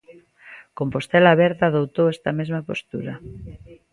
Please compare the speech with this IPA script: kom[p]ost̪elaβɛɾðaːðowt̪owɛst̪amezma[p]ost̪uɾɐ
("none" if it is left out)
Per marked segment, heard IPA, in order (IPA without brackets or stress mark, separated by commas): p, p